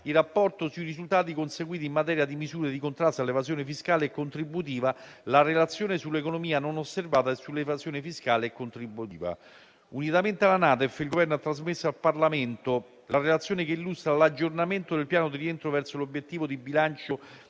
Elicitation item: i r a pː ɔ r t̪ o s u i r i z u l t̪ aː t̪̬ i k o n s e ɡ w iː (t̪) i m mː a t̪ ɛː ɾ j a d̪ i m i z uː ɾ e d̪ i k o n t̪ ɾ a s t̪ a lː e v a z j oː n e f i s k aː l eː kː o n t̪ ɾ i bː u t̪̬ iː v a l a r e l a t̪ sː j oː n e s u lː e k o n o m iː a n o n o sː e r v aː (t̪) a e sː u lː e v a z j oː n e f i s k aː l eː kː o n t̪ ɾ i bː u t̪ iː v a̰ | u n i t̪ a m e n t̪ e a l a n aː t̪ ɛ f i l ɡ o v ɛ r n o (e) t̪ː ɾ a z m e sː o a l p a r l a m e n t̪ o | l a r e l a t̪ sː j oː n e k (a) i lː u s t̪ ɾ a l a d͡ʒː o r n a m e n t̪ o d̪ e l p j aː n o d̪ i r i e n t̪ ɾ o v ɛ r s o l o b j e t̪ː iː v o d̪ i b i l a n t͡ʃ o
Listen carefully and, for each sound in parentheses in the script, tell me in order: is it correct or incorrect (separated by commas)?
correct, correct, incorrect, incorrect